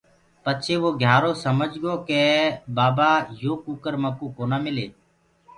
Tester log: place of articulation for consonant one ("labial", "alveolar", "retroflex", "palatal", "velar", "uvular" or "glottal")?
labial